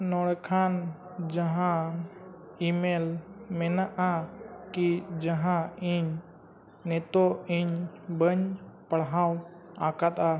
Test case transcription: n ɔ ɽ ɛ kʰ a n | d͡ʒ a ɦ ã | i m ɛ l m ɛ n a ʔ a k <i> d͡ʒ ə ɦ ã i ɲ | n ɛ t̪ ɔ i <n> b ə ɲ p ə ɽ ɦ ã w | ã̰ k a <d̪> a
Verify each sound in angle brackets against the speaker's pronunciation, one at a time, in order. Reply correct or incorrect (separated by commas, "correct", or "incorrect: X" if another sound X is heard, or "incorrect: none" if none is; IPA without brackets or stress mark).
correct, incorrect: ɲ, incorrect: t̪